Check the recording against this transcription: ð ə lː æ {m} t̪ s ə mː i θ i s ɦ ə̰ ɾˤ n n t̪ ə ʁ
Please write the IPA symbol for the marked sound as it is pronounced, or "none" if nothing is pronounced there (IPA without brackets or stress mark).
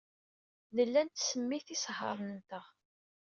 n